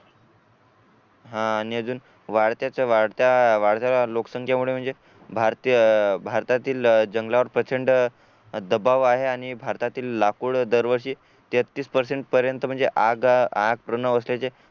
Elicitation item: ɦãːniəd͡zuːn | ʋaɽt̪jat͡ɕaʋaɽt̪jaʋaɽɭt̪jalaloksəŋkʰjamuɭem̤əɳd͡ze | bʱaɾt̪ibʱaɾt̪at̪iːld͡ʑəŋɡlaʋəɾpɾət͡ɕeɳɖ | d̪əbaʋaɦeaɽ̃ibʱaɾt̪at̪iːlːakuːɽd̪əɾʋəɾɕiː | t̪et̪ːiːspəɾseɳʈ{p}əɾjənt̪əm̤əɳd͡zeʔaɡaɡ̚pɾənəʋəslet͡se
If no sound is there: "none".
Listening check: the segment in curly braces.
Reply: p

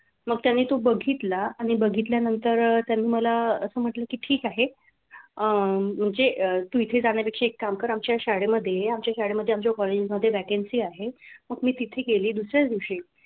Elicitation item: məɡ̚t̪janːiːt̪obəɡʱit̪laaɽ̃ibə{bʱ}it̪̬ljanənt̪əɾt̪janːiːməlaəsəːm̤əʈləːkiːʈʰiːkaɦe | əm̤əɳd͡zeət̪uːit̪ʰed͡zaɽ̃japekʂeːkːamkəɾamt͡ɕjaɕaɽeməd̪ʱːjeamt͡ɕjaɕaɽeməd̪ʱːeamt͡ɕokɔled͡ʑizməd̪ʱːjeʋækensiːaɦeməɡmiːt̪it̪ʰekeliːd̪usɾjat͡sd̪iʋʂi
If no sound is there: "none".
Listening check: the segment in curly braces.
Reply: ɡʱ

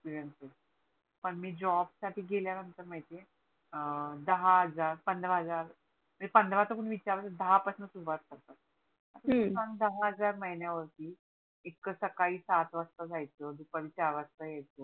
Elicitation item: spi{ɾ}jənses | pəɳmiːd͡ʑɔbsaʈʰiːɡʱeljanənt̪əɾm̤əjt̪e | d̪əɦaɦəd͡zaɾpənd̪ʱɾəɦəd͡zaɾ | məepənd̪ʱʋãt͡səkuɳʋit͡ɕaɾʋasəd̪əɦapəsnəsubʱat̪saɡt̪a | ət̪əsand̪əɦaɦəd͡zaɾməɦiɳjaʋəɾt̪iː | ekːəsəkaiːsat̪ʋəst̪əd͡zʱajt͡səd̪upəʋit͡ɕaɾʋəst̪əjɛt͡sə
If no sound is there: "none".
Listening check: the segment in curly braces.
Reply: ɾ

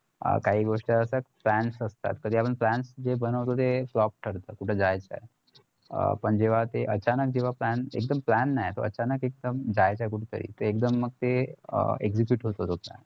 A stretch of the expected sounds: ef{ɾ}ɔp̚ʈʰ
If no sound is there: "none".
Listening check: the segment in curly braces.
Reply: l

